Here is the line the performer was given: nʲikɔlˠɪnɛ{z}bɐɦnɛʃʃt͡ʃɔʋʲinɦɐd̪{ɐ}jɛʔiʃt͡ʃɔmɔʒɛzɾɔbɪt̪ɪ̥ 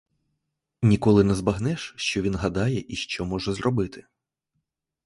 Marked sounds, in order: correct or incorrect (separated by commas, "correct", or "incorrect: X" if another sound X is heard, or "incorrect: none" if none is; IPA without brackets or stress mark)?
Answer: correct, incorrect: ɑ